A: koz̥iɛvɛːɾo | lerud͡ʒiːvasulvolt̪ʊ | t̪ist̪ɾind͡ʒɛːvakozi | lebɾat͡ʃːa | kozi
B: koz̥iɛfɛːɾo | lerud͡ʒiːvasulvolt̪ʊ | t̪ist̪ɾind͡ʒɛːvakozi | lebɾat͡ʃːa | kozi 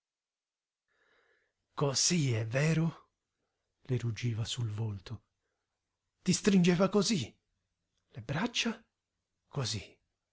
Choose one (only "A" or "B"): A